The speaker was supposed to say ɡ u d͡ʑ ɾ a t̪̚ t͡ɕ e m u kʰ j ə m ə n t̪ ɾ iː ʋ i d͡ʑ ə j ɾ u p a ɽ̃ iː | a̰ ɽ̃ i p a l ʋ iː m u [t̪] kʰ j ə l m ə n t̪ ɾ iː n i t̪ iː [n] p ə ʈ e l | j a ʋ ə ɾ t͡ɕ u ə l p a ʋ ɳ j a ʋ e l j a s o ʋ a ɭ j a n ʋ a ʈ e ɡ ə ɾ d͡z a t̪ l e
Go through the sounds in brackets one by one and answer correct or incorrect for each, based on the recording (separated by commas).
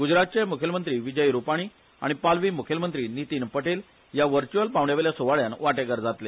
incorrect, correct